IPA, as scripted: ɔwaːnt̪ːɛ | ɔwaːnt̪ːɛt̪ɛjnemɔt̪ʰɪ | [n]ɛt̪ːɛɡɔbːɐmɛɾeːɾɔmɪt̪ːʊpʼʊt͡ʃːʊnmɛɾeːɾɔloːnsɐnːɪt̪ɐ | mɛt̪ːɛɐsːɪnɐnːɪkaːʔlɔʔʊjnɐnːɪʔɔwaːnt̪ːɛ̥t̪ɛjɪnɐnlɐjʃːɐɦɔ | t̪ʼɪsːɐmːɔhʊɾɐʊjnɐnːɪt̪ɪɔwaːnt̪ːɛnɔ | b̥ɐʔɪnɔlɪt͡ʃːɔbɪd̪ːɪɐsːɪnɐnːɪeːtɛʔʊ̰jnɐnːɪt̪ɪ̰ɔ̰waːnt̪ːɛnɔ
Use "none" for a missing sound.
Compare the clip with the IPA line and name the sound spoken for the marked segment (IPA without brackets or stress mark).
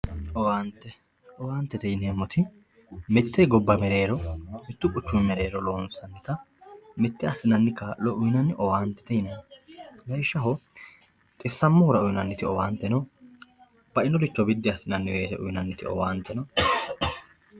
m